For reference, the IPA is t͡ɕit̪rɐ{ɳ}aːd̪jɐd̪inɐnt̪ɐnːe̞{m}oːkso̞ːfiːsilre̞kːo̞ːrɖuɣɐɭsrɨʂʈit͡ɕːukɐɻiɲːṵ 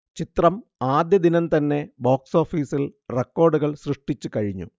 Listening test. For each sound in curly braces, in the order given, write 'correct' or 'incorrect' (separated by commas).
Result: incorrect, incorrect